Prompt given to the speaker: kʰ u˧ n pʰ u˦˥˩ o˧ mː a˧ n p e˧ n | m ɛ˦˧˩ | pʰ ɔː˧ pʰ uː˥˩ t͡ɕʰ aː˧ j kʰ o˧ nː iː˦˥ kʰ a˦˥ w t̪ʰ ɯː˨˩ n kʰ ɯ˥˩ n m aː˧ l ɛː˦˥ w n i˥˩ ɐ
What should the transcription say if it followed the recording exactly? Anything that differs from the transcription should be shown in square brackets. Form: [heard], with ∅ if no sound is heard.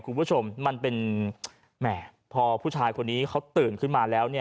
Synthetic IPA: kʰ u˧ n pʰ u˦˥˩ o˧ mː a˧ n p e˧ n | m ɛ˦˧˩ | pʰ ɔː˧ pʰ uː˥˩ t͡ɕʰ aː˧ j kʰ o˧ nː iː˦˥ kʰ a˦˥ w [t̪] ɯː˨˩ n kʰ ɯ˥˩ n m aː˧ l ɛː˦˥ w n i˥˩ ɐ